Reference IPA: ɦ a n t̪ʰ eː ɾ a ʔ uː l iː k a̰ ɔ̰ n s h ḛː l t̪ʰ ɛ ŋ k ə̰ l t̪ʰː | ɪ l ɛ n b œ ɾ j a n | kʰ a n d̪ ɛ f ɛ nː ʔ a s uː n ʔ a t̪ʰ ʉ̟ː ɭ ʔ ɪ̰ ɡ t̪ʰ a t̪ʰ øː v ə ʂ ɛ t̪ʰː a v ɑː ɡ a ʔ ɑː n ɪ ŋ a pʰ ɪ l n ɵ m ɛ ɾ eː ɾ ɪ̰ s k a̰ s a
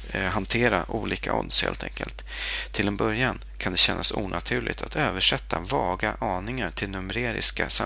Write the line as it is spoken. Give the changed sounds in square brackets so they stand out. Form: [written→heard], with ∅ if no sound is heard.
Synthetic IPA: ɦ a n t̪ʰ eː ɾ a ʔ uː l iː k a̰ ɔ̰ n s h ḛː l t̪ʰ ɛ ŋ k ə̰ l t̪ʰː | ɪ l ɛ n b œ ɾ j a n | kʰ a n d̪ ɛ [f→ɕ] ɛ nː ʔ a s uː n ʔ a t̪ʰ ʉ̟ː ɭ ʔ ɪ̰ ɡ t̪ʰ a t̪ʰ øː v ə ʂ ɛ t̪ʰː a v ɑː ɡ a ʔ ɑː n ɪ ŋ a [pʰ→ʈʰ] ɪ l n ɵ m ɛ ɾ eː ɾ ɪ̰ s k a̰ s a